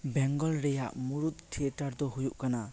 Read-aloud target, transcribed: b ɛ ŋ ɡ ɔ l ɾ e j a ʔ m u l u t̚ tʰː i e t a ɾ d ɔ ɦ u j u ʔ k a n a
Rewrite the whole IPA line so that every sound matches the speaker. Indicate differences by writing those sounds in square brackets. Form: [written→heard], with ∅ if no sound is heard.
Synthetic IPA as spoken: b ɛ ŋ ɡ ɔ l ɾ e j a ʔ m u [l→ɾ] u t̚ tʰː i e t a ɾ d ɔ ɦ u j u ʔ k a n a